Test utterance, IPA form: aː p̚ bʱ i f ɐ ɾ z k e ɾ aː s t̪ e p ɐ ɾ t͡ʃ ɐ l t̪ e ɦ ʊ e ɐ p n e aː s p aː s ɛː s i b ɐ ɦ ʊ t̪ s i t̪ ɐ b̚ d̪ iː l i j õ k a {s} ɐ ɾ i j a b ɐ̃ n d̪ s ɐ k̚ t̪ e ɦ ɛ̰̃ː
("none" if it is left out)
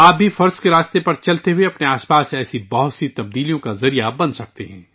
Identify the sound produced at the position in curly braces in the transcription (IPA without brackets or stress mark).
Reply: z